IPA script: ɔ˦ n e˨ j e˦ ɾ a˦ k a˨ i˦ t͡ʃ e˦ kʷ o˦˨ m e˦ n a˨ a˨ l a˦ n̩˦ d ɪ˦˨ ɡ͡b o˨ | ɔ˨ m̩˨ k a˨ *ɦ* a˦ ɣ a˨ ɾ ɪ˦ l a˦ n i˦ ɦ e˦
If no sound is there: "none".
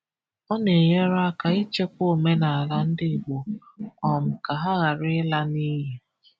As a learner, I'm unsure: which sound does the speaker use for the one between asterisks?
ɦ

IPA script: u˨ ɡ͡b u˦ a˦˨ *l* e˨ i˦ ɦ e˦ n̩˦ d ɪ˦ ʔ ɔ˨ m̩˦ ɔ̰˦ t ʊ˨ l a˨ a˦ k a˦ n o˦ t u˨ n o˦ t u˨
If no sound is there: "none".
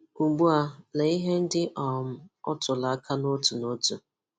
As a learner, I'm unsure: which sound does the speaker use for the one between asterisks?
l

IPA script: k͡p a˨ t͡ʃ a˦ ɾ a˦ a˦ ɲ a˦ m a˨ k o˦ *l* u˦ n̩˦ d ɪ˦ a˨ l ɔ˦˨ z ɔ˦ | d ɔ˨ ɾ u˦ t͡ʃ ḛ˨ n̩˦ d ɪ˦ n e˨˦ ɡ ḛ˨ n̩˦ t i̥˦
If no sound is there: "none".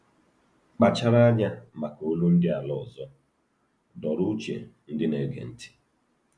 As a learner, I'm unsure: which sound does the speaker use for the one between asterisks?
l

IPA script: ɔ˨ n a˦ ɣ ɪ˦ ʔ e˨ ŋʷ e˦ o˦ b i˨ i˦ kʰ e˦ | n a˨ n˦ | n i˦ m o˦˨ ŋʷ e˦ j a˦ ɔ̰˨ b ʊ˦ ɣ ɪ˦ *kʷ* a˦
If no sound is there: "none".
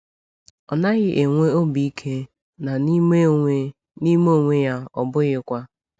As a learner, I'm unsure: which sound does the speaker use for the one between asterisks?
kʷ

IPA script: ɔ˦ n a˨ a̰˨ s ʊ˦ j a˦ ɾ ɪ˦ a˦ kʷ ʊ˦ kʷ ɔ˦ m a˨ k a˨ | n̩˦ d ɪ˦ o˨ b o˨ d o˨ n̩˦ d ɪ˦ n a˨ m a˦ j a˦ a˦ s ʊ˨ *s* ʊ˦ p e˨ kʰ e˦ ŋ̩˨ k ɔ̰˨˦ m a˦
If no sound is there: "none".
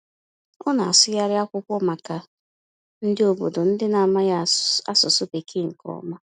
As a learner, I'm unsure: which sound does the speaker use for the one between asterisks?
s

